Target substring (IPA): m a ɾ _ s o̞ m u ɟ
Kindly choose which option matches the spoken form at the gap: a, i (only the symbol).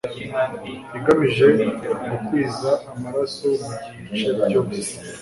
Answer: a